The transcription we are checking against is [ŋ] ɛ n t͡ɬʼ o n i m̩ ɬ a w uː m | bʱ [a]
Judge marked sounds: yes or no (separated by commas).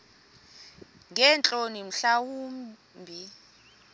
yes, no